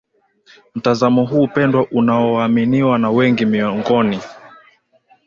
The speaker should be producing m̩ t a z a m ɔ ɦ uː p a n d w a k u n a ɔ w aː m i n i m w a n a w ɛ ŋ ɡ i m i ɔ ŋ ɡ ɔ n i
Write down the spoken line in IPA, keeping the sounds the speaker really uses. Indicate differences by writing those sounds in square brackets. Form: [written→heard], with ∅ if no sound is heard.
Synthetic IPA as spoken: m̩ t a z a m ɔ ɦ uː p [a→ɛ] n d w a [k→ʔ] u n a ɔ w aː m i n i [m→∅] w a n a w ɛ ŋ ɡ i m i ɔ ŋ ɡ ɔ n i